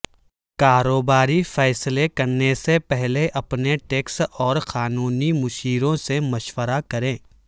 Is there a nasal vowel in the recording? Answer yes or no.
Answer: yes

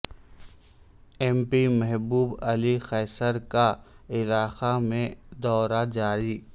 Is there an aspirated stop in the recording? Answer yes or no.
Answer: no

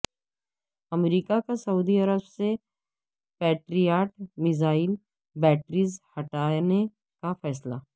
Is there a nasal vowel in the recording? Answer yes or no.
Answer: no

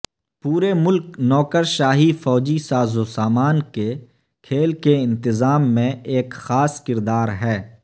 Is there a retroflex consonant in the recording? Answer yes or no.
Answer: no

